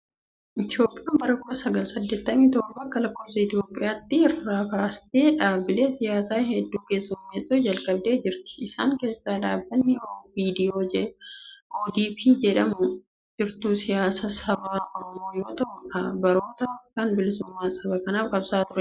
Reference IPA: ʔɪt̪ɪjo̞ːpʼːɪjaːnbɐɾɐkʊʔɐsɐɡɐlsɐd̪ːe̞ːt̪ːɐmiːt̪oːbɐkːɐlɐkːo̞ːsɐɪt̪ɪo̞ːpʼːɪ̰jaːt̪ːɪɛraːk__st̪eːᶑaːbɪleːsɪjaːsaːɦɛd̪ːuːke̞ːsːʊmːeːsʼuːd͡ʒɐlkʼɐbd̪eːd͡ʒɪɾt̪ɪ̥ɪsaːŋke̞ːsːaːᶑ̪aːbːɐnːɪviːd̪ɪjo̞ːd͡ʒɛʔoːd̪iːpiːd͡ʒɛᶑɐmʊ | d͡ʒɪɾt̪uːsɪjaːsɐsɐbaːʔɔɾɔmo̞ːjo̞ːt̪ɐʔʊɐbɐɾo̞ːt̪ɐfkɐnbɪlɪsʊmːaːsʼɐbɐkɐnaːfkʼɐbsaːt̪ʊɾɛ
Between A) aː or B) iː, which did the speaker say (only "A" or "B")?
A